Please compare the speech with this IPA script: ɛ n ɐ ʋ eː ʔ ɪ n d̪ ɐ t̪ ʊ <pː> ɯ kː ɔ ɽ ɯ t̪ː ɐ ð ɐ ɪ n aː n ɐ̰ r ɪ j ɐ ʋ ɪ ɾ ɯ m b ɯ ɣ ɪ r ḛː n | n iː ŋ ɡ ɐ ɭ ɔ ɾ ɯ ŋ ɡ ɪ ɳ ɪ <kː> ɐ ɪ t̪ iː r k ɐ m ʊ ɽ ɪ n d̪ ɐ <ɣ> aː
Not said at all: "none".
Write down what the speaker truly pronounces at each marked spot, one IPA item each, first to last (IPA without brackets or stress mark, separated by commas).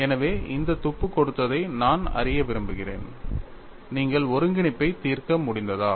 pː, pː, ð